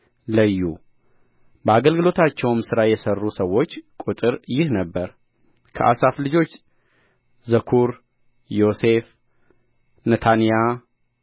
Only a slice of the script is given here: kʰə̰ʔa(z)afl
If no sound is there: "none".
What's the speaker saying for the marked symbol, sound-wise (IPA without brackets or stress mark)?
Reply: s